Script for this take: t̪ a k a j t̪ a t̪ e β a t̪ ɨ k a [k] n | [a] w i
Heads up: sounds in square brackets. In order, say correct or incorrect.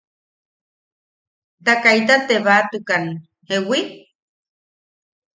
incorrect: none, incorrect: e

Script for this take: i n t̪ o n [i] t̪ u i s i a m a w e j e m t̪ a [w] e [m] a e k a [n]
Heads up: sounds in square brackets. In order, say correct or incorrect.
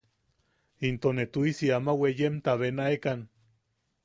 incorrect: e, incorrect: β, incorrect: n, correct

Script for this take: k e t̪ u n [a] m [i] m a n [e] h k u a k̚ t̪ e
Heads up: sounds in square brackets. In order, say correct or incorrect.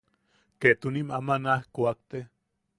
incorrect: i, incorrect: a, incorrect: a

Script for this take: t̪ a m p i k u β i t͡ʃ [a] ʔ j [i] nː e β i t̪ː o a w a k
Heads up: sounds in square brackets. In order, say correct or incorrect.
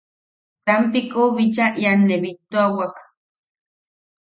correct, incorrect: a

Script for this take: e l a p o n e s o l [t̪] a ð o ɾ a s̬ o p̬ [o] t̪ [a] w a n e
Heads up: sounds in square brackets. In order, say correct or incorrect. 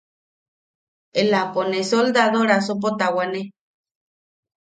incorrect: d̪, correct, correct

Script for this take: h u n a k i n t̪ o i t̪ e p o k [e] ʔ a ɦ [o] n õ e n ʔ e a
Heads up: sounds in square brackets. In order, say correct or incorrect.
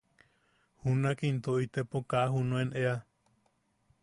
incorrect: a, incorrect: u

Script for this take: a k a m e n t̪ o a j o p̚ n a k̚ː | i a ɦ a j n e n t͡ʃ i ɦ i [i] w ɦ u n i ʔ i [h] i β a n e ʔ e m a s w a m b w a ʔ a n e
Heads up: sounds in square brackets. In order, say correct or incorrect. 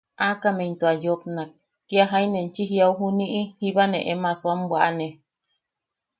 incorrect: a, correct

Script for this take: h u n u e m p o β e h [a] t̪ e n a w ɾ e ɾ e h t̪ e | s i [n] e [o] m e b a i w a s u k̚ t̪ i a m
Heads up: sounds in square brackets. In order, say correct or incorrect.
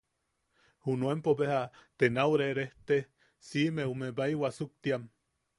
correct, incorrect: m, incorrect: u

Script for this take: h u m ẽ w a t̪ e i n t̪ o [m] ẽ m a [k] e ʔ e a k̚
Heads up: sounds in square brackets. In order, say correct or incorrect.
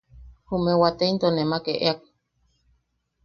incorrect: n, correct

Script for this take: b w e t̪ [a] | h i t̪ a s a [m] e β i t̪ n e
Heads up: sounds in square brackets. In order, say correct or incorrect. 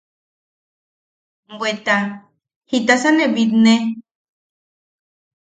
correct, incorrect: n

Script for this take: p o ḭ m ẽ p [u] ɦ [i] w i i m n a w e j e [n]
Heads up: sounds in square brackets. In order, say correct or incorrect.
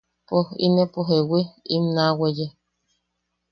incorrect: o, incorrect: e, incorrect: none

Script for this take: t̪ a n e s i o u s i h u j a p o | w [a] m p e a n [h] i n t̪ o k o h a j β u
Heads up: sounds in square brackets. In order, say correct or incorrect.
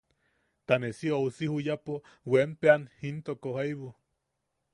incorrect: e, correct

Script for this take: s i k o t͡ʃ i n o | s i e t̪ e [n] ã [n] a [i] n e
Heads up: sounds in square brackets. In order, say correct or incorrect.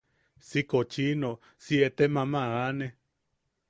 incorrect: m, incorrect: m, incorrect: a

